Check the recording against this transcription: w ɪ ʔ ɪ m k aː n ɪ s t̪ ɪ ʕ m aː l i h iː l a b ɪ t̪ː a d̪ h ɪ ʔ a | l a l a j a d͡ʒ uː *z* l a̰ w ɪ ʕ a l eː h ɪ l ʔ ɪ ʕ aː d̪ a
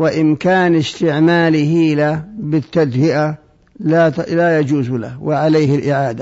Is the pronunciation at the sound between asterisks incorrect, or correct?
correct